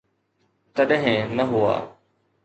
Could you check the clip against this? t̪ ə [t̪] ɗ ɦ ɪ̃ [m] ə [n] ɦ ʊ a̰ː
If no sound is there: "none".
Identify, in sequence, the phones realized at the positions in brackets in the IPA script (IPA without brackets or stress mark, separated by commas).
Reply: none, n, none